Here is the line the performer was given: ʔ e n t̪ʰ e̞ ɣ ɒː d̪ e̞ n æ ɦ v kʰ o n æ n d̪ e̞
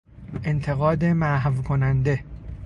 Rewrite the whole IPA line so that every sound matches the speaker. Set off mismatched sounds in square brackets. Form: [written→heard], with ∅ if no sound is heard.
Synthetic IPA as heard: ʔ e n t̪ʰ e̞ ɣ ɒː d̪ e̞ [n→m] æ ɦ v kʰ o n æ n d̪ e̞